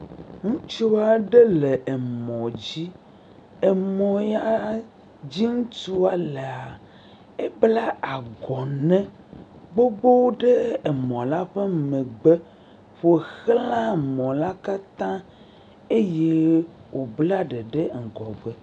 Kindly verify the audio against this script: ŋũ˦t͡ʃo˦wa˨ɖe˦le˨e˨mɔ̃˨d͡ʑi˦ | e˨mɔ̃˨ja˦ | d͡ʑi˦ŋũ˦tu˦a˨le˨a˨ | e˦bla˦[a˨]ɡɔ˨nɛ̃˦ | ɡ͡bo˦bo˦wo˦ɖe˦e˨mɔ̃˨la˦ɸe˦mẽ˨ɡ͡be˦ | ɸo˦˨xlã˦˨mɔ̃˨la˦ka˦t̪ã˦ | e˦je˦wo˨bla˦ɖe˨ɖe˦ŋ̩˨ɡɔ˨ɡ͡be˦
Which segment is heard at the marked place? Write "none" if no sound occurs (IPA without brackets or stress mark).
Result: a˨